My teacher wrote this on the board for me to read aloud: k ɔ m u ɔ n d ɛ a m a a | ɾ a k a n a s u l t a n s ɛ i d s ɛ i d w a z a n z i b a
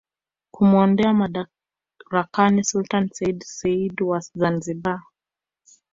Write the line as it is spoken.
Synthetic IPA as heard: k u m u ɔ n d ɛ a m a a | ɾ a k a n i s u l t a n s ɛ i d s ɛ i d w a z a n z i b a